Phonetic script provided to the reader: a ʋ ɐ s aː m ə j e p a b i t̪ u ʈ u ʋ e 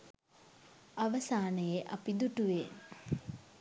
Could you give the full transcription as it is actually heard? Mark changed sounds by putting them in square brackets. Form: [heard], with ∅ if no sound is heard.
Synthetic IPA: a ʋ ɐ s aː [n] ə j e [ʔ] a [p] i [d̪] u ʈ u ʋ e